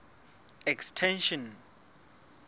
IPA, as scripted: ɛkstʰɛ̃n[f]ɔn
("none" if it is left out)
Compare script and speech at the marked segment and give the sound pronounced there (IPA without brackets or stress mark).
ʃ